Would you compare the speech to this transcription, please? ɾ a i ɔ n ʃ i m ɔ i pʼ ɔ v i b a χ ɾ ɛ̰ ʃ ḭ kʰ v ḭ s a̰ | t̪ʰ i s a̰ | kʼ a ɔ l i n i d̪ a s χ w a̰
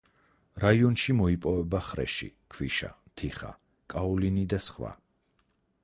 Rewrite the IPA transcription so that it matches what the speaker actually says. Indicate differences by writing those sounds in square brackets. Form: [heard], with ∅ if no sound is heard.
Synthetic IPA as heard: ɾ a i ɔ n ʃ i m ɔ i pʼ ɔ v [ɛ] b a χ ɾ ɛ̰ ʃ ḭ kʰ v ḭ [ʃ] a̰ | t̪ʰ i [χ] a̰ | kʼ a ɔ l i n i d̪ a s χ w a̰

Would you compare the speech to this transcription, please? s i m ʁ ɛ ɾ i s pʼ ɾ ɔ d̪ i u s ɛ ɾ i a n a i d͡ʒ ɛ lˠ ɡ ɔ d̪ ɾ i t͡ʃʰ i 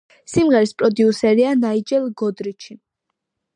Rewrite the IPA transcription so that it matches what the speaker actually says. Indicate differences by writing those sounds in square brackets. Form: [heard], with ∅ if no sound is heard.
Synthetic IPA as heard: s i m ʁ ɛ ɾ i s pʼ ɾ ɔ d̪ i u s ɛ ɾ i a n a i d͡ʒ ɛ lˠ ɡ ɔ d̪ ɾ i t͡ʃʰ i

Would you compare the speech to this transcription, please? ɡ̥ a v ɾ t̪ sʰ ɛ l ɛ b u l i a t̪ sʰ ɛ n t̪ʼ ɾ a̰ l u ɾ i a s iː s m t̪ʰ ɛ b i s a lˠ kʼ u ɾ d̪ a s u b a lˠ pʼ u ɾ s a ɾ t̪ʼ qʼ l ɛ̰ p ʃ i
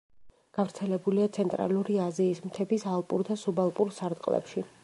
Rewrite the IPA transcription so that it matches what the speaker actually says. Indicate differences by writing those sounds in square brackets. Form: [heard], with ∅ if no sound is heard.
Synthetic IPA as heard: ɡ̥ a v ɾ t̪ sʰ ɛ l ɛ b u l i a t̪ sʰ ɛ n t̪ʼ ɾ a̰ l u ɾ i a [z] iː s m t̪ʰ ɛ b i s a lˠ [pʼ] u ɾ d̪ a s u b a lˠ pʼ u ɾ s a ɾ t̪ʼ qʼ l ɛ̰ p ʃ i

